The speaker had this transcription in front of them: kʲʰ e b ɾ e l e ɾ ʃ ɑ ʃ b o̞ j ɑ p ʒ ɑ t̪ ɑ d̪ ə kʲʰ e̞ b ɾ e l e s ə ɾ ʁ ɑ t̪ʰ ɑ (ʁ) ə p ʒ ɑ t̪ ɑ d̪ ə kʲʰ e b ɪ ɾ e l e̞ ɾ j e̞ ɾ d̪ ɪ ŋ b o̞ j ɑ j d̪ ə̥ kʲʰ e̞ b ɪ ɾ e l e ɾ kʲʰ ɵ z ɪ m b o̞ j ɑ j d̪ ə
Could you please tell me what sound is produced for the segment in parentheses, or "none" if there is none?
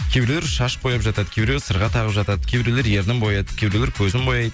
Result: ʁ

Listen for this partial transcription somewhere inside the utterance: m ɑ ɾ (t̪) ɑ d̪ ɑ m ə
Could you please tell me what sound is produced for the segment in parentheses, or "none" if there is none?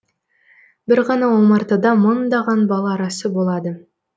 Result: t̪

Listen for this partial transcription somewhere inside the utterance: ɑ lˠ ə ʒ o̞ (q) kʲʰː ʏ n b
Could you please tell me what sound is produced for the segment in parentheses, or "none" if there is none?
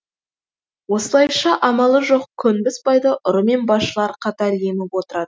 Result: q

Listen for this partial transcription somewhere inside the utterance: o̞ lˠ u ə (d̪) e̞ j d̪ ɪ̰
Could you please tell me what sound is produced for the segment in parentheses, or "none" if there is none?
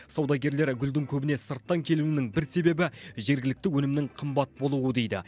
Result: d̪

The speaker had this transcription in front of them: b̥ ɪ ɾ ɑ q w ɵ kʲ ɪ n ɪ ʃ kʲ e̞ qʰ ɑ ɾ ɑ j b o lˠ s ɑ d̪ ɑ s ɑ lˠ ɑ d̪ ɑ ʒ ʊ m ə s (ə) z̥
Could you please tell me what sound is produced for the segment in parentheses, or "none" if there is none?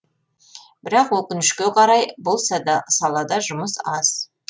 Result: ɑ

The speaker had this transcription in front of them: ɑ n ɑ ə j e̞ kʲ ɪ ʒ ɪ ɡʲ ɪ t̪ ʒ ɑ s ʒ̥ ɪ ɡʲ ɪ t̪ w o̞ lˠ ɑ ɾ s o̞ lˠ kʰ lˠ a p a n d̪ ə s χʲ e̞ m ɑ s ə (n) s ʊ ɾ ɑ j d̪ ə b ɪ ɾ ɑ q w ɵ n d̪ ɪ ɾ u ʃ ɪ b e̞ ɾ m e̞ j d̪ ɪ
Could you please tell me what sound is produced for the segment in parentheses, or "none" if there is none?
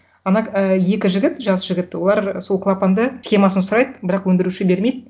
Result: n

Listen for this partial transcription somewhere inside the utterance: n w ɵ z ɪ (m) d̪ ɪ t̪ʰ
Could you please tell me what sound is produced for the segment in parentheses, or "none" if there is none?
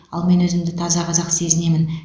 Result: m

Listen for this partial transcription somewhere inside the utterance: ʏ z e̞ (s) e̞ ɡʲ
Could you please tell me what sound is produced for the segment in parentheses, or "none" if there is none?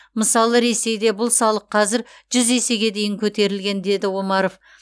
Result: s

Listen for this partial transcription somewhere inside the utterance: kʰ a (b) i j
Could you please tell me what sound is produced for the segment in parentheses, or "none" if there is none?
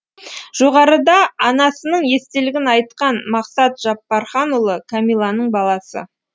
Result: m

